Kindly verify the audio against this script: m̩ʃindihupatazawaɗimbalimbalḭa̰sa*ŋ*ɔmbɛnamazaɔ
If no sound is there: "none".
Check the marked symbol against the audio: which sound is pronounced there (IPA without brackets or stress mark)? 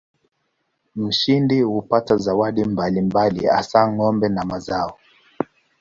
ŋ